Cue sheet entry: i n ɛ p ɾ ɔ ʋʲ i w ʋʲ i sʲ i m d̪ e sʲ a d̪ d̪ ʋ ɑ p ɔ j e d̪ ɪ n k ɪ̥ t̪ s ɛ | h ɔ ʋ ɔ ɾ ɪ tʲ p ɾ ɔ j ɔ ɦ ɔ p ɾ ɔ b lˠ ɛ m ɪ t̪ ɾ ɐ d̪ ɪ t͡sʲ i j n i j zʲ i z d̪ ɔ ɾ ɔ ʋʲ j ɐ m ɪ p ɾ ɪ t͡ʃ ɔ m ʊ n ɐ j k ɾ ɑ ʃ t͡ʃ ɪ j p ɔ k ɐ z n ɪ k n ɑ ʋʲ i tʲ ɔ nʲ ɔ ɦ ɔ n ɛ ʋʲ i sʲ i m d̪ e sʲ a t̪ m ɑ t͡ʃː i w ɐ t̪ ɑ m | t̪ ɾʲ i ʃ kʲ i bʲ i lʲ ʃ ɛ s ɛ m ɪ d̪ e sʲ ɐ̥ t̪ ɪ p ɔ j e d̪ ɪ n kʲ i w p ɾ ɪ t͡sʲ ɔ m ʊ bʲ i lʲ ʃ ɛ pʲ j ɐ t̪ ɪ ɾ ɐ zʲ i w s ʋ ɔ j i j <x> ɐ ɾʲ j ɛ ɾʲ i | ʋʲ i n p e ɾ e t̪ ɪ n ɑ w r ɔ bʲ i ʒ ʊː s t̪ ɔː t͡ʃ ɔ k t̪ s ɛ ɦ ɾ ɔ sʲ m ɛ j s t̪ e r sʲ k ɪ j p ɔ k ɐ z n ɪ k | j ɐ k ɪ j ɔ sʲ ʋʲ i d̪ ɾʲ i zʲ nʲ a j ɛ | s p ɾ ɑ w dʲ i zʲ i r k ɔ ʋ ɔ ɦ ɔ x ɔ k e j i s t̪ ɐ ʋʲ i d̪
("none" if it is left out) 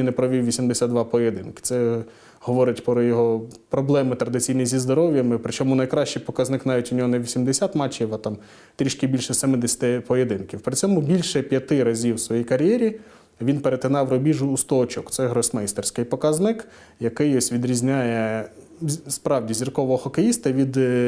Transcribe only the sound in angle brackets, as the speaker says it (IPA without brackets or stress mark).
k